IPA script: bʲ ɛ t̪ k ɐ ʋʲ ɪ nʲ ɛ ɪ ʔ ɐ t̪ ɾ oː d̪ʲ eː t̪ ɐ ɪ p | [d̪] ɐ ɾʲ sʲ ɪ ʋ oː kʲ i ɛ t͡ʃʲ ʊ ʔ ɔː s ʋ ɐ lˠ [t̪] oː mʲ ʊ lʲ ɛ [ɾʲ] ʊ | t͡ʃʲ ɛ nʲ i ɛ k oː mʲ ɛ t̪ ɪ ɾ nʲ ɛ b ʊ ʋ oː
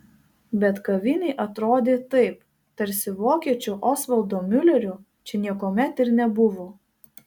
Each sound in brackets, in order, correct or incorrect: incorrect, incorrect, correct

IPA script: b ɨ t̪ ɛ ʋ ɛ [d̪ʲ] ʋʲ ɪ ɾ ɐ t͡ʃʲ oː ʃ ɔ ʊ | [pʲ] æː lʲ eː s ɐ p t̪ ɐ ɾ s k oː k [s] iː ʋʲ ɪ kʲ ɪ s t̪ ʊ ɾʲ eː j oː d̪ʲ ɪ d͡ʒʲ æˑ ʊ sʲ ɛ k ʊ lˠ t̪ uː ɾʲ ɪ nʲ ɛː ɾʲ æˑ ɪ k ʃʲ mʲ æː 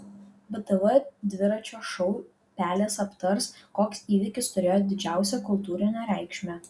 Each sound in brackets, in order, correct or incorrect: correct, correct, correct

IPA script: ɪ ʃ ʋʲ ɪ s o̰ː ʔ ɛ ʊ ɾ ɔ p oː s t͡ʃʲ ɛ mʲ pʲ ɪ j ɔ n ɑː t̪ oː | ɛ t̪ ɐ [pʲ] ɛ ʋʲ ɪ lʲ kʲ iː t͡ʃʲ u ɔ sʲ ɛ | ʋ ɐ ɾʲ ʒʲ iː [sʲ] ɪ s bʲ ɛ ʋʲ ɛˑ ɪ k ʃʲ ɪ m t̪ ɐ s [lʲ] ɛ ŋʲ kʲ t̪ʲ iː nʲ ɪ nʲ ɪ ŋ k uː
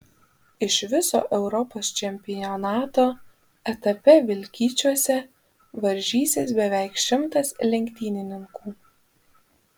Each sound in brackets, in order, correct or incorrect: correct, correct, correct

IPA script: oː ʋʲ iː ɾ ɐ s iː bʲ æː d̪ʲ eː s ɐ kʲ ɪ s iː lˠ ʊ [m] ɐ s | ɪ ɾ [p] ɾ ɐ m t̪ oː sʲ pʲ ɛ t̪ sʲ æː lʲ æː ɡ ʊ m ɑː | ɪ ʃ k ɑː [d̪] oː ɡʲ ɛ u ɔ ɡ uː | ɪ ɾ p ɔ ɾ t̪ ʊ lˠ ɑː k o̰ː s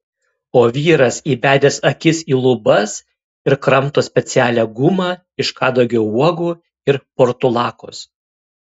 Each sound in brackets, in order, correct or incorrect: incorrect, incorrect, correct

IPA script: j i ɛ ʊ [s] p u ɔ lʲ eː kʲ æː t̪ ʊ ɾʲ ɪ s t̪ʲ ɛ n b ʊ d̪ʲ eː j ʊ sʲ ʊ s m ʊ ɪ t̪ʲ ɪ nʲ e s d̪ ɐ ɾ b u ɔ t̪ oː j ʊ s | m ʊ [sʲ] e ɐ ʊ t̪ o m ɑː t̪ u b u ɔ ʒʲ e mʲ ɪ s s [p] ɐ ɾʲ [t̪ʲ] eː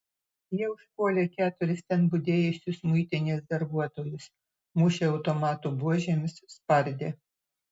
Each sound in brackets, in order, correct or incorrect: incorrect, incorrect, correct, incorrect

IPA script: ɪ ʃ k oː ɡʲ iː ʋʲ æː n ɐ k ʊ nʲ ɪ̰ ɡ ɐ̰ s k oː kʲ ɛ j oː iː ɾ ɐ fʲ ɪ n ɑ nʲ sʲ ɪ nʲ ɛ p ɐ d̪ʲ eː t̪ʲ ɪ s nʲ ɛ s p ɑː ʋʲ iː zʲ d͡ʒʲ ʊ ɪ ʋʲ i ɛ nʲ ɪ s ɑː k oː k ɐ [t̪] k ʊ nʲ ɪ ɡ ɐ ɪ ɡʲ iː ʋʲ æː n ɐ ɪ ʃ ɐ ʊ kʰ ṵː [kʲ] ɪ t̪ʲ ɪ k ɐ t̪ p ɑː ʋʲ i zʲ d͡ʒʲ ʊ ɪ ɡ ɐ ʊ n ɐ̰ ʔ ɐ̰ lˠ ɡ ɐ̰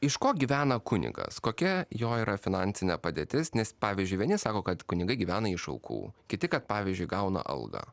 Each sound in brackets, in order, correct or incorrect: correct, correct

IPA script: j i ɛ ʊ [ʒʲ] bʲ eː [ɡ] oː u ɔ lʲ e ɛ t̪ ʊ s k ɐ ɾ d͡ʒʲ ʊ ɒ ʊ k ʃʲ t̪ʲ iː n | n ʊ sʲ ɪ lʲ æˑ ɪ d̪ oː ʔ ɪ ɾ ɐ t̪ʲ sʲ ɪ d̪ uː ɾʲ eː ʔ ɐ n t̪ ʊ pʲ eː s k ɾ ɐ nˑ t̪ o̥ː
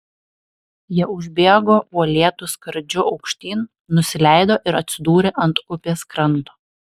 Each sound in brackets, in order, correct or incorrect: correct, correct

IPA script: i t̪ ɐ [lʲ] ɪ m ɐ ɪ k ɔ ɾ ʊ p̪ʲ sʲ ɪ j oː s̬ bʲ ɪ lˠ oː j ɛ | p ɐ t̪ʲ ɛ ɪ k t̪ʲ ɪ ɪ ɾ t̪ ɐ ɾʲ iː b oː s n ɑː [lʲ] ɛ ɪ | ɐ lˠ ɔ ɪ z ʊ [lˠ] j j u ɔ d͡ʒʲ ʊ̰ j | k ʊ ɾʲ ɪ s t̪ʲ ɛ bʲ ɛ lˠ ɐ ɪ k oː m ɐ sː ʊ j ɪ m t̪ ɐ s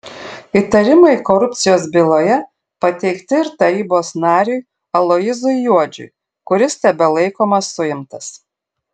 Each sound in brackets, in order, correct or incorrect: incorrect, incorrect, incorrect

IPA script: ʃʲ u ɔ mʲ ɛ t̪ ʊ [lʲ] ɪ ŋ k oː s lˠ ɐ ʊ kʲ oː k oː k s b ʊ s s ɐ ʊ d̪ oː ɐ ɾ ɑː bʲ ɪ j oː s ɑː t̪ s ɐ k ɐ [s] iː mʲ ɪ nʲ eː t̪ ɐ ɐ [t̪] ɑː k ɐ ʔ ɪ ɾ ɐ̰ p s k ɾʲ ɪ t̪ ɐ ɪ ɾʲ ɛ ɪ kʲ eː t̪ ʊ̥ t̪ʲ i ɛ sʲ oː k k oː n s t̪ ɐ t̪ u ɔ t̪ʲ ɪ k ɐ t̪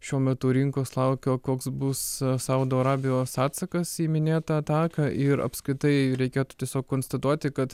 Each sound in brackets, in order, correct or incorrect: incorrect, correct, correct

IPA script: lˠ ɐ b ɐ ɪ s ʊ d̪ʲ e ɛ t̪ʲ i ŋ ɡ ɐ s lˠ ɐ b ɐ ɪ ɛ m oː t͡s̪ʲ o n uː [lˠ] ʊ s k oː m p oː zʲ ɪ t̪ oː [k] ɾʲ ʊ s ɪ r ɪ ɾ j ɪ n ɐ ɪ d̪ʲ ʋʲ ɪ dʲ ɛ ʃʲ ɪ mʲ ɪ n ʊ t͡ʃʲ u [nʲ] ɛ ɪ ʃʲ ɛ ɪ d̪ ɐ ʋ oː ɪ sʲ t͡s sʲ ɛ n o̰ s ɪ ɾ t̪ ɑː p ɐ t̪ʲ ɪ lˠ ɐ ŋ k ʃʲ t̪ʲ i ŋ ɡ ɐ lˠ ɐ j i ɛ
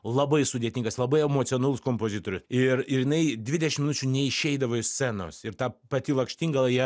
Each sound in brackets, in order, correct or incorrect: correct, incorrect, correct

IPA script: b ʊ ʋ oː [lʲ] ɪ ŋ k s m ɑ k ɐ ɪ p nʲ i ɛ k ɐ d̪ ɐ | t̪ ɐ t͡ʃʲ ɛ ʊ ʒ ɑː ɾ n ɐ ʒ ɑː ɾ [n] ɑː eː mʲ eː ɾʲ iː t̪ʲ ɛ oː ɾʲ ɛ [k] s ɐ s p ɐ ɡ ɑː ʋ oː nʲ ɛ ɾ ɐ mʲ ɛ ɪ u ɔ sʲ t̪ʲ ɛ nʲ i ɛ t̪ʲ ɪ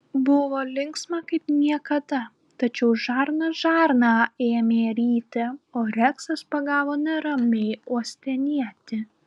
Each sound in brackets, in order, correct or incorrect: correct, correct, correct

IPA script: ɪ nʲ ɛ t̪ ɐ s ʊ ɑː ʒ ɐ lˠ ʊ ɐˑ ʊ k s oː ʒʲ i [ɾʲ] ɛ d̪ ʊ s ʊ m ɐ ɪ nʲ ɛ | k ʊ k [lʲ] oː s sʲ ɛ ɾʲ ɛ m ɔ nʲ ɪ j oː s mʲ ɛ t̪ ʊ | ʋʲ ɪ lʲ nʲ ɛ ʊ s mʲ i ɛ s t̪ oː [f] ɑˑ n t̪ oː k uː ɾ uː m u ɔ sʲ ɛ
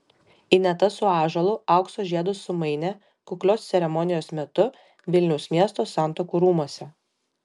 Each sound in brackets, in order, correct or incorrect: incorrect, correct, incorrect

